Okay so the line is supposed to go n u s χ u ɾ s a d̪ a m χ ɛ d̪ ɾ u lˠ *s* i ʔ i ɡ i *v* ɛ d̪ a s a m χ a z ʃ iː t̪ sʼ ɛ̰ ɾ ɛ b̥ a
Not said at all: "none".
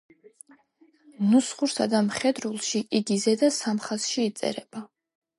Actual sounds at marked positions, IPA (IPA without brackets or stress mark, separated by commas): ʃ, z